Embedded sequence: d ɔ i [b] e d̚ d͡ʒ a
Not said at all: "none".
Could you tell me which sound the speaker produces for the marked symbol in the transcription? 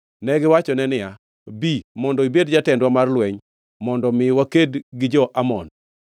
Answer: b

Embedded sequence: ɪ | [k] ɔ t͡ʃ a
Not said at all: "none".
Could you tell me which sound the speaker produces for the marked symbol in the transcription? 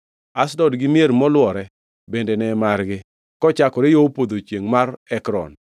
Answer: k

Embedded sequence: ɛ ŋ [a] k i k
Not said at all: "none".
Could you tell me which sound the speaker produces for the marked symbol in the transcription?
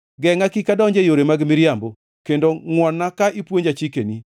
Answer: a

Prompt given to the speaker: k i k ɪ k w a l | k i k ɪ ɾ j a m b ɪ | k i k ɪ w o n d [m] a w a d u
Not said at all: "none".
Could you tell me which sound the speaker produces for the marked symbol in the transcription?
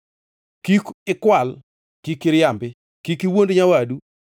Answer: ɲ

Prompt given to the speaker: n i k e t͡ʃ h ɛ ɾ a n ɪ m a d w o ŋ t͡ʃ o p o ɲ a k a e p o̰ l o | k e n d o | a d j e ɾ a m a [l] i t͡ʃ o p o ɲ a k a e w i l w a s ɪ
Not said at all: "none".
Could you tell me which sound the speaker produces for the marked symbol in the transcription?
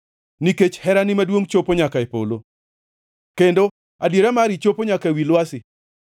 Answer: ɾ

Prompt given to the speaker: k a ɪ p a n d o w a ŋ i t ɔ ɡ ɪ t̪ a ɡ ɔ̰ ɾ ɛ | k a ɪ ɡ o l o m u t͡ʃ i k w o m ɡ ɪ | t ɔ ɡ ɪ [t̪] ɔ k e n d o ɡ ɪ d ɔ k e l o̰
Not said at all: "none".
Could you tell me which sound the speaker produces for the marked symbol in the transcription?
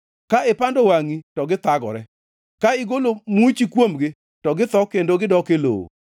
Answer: t̪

